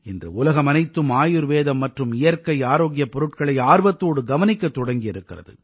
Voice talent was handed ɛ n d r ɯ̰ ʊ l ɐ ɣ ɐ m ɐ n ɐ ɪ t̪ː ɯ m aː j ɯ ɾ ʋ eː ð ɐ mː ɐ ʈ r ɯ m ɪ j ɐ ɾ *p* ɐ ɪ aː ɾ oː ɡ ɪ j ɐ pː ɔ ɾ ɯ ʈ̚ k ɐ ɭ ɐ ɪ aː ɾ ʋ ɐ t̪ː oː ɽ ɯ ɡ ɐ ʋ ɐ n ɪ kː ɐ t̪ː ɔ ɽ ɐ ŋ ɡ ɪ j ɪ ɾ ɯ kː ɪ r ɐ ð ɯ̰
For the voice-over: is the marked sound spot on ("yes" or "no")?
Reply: no